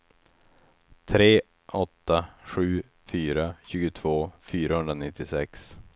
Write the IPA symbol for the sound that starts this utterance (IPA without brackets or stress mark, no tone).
t̪ʰ